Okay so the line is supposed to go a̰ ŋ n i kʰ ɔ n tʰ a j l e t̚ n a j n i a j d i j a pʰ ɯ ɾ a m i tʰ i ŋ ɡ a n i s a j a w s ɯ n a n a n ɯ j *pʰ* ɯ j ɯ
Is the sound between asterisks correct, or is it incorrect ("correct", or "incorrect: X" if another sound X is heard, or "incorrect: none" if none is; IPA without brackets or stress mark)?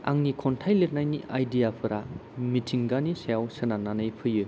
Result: correct